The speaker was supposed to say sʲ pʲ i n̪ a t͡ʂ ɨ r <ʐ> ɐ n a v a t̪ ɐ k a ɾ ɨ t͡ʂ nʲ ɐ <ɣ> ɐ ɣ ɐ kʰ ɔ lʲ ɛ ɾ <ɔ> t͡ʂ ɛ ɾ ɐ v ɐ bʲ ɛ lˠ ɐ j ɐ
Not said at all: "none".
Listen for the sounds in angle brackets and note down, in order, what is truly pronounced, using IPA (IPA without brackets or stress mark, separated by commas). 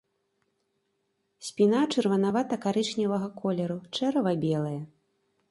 v, v, u